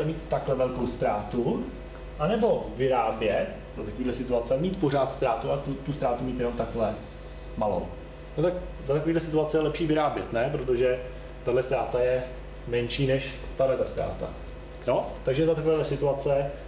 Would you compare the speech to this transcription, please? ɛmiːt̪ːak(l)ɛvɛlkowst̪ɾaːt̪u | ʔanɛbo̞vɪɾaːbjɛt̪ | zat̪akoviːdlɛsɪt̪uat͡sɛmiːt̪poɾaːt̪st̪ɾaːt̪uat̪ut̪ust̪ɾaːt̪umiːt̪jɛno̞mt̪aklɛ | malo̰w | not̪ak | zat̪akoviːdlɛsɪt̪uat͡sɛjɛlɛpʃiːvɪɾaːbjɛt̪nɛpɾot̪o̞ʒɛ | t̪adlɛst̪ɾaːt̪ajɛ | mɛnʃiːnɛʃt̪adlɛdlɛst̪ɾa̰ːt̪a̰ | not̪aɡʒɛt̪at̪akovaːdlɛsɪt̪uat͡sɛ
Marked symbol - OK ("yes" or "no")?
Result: yes